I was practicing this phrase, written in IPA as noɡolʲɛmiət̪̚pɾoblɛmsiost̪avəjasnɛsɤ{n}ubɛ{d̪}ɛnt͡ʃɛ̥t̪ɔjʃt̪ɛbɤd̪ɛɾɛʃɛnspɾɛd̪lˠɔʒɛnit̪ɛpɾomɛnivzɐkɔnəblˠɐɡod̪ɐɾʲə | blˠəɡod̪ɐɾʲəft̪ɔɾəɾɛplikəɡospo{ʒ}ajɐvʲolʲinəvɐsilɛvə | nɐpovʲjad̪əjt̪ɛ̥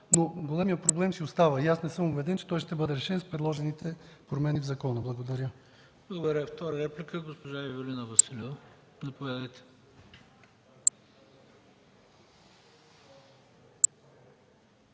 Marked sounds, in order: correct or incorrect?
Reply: incorrect, correct, correct

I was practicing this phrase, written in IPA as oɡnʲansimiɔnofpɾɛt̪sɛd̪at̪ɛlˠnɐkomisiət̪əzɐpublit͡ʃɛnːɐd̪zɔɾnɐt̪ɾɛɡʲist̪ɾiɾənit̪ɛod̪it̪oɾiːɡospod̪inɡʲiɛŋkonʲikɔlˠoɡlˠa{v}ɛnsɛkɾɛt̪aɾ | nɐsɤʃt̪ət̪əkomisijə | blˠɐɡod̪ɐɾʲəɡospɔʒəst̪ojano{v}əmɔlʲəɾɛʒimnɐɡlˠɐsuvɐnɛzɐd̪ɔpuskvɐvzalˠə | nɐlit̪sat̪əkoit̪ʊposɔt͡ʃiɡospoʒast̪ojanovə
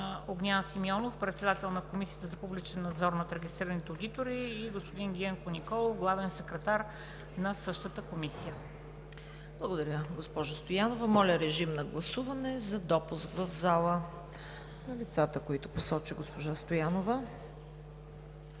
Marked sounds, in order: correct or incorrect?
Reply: correct, correct

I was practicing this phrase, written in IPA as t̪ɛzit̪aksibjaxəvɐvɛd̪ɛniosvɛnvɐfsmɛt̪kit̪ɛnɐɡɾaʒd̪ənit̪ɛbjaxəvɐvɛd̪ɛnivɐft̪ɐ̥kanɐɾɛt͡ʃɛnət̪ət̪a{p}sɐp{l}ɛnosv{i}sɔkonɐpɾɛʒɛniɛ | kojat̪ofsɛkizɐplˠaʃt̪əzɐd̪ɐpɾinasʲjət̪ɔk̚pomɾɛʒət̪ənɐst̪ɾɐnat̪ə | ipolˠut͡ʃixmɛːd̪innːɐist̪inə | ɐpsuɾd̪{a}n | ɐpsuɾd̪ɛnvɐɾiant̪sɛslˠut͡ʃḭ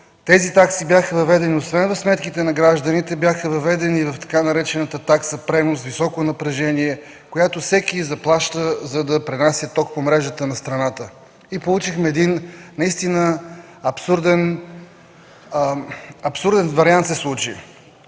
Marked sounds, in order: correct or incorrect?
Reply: incorrect, incorrect, correct, incorrect

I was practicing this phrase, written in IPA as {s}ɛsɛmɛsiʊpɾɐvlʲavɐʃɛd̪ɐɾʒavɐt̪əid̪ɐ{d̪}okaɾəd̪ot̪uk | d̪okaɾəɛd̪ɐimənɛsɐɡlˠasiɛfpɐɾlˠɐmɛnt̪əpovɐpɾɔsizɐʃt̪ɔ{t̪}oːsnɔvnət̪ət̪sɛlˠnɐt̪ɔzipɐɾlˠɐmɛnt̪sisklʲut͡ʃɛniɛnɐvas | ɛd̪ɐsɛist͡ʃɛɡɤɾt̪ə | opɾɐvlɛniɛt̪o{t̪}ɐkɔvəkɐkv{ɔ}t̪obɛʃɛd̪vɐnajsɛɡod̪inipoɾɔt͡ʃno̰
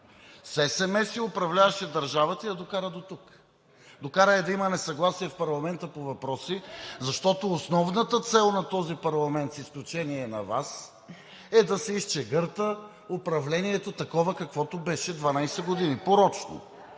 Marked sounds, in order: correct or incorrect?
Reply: correct, correct, correct, correct, correct

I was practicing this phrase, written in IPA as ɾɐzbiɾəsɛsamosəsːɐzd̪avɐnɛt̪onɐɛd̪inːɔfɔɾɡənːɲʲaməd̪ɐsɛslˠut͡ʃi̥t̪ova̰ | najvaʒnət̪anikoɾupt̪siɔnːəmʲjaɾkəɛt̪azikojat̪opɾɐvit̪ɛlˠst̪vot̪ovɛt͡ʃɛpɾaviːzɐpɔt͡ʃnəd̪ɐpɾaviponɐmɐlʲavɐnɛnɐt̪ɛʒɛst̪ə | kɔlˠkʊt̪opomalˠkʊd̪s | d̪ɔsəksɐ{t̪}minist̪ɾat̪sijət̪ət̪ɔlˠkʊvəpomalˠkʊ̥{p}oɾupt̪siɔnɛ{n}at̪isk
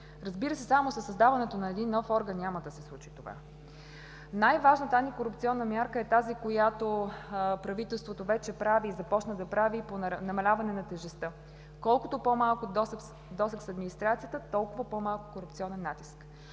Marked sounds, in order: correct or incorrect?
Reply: incorrect, incorrect, incorrect

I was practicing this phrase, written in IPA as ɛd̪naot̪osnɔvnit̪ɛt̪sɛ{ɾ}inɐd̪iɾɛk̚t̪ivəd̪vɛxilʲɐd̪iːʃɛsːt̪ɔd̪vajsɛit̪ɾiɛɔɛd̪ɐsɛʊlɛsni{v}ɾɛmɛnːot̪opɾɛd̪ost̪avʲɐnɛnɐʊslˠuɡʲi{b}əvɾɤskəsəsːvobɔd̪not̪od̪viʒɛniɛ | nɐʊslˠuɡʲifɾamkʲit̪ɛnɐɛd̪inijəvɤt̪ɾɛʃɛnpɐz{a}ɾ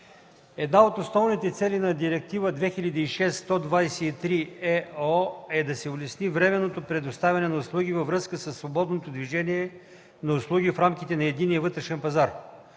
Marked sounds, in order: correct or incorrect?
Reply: incorrect, correct, incorrect, correct

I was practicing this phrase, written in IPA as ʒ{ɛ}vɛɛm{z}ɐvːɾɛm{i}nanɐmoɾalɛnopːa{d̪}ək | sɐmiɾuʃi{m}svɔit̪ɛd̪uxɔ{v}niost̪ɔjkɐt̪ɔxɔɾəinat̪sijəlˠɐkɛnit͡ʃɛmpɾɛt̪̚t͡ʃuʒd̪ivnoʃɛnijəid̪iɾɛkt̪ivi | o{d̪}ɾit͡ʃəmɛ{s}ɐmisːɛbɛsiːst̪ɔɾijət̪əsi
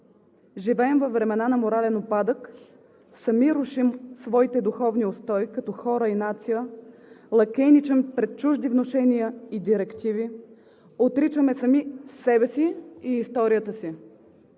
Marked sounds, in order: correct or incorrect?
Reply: incorrect, incorrect, incorrect, correct, correct, correct, incorrect, correct

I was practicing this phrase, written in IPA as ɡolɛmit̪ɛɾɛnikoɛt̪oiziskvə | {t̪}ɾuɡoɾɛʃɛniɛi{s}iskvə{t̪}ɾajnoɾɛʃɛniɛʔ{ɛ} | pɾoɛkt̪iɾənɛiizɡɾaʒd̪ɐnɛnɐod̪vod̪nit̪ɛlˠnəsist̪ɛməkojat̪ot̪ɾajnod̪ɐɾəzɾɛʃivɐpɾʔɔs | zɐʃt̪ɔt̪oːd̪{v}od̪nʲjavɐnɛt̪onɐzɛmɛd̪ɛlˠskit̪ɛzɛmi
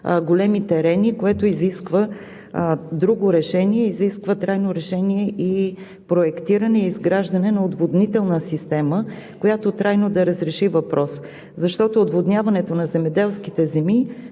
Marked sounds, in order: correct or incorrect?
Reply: incorrect, incorrect, correct, incorrect, correct

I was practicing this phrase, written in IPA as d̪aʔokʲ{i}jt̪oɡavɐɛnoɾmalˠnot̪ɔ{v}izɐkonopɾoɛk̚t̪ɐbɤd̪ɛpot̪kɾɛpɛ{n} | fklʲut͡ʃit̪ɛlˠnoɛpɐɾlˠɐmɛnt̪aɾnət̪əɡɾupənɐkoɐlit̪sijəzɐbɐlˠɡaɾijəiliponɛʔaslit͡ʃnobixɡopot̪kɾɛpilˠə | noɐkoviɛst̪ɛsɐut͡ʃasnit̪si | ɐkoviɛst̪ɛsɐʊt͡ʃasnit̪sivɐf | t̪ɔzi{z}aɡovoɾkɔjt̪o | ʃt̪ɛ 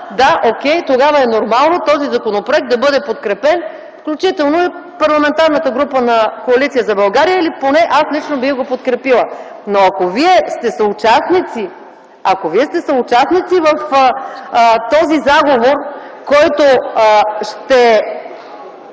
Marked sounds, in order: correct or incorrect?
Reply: incorrect, incorrect, correct, correct

